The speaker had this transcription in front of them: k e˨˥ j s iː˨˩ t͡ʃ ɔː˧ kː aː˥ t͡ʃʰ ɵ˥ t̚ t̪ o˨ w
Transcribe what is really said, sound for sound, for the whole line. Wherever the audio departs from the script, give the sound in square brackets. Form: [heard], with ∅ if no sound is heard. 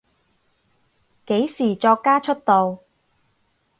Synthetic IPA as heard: k e˨˥ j s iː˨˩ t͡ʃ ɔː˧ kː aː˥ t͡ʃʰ ɵ˥ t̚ t̪ o˨ w